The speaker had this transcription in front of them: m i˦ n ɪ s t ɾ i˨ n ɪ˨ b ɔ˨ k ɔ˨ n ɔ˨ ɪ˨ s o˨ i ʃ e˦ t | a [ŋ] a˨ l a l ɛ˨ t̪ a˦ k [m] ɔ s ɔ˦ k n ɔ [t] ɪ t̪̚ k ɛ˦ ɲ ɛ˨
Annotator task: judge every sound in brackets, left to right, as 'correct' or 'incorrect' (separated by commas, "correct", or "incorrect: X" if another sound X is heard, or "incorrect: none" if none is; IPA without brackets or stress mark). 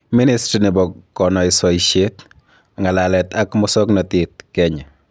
correct, correct, correct